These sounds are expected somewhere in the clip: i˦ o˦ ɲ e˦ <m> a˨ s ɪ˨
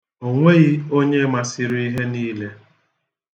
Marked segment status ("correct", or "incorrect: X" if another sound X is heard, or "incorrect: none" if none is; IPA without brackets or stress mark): correct